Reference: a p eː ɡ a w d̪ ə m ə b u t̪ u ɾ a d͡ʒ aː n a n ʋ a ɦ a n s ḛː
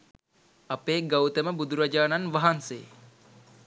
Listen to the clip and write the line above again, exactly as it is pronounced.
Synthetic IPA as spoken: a p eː ɡ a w t̪ ə m ə b u d̪ u ɾ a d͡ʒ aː n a n ʋ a ɦ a n s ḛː